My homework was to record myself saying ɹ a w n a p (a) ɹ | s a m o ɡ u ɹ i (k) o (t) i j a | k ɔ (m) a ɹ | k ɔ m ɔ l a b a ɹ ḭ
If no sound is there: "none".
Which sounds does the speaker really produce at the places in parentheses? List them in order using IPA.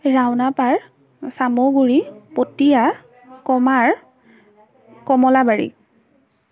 a, p, t, m

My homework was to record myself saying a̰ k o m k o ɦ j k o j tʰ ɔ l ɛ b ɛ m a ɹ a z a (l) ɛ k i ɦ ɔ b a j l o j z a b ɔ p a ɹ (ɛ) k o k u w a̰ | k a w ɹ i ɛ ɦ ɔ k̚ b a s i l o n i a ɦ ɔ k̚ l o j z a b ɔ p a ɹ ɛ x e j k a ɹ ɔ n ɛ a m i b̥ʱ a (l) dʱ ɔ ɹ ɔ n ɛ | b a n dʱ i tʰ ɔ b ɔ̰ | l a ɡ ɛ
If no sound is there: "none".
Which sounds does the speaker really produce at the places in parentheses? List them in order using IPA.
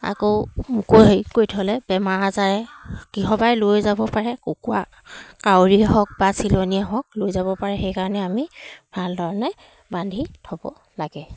ɹ, ɛ, l

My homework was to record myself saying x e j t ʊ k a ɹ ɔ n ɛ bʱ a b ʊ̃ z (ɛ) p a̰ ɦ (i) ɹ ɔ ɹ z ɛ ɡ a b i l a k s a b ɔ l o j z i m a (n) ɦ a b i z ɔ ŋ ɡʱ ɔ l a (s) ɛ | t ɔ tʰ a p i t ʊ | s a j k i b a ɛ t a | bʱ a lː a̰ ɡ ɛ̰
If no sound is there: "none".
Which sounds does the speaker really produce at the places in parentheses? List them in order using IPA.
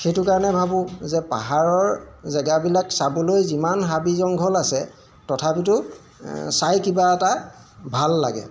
ɛ, a, n, s

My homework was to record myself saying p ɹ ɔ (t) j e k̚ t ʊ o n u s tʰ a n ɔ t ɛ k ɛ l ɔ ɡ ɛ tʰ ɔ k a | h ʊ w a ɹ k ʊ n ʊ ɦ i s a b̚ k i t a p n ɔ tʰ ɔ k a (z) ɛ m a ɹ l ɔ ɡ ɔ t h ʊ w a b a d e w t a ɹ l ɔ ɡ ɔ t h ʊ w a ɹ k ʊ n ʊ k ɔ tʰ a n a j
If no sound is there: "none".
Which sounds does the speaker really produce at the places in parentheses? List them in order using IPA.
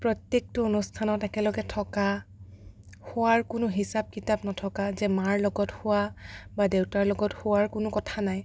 t, z

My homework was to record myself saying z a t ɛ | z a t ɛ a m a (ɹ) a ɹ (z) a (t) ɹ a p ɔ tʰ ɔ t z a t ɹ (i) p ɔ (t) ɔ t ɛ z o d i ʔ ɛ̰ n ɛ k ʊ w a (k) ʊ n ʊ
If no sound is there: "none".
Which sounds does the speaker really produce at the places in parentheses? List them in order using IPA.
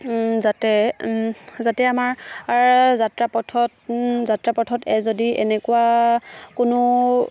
ɹ, z, t, a, tʰ, k

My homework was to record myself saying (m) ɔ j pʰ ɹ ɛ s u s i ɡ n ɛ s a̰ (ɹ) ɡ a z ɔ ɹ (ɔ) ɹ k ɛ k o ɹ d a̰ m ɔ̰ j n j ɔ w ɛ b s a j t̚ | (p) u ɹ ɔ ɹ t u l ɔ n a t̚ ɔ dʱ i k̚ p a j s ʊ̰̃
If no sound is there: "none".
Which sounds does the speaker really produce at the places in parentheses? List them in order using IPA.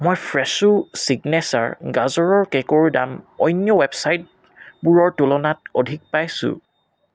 m, ɹ, ɔ, b

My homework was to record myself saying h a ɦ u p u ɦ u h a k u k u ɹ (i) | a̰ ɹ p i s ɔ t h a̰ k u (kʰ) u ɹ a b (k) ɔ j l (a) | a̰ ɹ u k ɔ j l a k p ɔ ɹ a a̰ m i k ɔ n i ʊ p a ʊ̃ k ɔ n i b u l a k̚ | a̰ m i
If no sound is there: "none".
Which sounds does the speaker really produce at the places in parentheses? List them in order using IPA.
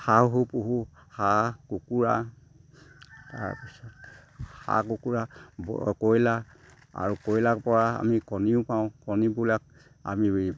a, k, k, a

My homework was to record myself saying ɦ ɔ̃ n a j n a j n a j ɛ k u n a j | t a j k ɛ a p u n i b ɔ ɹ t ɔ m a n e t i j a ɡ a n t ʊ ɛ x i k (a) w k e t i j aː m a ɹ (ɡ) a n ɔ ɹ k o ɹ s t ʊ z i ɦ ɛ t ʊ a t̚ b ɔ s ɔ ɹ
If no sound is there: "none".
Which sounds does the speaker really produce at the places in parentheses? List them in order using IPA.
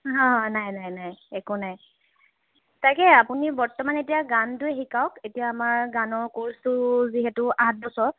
a, ɡ

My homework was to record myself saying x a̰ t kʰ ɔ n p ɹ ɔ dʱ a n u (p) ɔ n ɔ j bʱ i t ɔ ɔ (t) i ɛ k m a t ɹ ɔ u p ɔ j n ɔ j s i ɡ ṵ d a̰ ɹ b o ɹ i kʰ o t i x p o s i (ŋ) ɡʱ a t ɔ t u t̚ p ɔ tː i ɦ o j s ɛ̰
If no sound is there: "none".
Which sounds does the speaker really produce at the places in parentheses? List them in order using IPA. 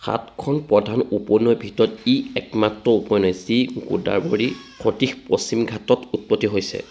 p, t, m

